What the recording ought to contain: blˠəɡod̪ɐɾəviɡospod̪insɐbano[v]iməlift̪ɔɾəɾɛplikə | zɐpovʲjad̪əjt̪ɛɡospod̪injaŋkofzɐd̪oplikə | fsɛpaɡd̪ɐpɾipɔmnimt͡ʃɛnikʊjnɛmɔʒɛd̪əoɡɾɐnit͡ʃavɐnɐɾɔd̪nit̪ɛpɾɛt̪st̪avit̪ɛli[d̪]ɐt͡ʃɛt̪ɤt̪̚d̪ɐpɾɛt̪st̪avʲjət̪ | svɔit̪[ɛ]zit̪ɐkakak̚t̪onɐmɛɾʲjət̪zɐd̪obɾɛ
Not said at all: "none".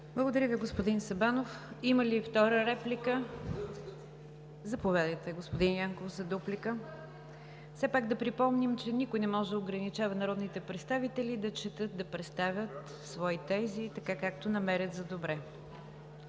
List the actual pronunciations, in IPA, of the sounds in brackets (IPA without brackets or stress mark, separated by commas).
f, d̪, ɛ